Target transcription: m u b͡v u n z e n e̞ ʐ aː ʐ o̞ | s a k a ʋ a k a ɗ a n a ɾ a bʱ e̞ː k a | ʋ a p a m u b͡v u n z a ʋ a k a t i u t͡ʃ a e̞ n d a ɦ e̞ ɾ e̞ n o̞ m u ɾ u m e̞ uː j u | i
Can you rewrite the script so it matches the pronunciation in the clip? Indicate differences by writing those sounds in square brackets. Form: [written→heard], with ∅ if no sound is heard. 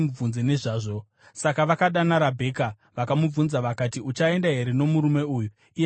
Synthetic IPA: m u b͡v u n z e n e̞ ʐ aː ʐ o̞ | s a k a ʋ a k a ɗ a n a ɾ a bʱ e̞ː k a | ʋ a [p→k] a m u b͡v u n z a ʋ a k a t i u t͡ʃ a e̞ n d a ɦ e̞ ɾ e̞ n o̞ m u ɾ u m e̞ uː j u | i